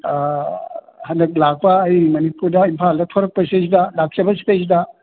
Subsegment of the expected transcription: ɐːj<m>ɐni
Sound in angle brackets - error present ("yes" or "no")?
no